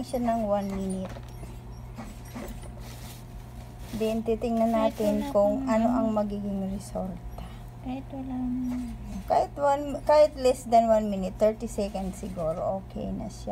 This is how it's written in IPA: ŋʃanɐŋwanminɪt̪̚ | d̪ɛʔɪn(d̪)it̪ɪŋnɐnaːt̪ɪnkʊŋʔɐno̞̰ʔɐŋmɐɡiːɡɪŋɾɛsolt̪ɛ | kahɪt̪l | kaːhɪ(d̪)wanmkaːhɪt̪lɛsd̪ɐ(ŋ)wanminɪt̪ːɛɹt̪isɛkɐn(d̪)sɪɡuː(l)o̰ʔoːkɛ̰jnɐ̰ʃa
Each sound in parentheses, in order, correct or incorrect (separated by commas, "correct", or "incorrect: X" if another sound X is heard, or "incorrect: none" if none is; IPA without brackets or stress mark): incorrect: t̪, incorrect: t̪, incorrect: n, correct, incorrect: ɾ